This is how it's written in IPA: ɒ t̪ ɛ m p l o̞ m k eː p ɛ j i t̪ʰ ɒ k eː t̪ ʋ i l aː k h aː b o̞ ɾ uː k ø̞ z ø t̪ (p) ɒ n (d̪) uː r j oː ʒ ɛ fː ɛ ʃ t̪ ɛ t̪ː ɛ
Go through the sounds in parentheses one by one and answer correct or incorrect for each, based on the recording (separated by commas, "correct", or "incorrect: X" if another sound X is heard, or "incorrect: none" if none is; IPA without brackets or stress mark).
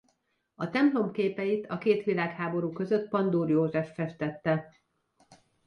correct, correct